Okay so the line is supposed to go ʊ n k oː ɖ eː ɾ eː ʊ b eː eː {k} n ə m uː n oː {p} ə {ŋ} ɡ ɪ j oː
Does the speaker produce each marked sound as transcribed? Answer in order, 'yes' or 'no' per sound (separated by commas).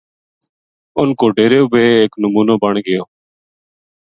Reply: yes, no, no